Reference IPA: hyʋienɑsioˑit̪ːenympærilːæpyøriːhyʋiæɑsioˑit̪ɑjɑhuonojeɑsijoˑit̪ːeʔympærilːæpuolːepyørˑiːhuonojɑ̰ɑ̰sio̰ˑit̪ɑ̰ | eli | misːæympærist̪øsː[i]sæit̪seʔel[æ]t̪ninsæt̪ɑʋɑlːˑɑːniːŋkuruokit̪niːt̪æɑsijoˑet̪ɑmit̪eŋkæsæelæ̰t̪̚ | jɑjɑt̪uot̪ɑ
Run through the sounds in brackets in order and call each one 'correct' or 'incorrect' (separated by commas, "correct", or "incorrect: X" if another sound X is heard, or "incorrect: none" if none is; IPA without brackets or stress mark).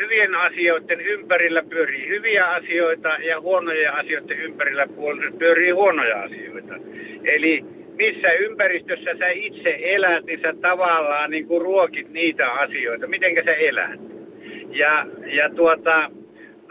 incorrect: æ, correct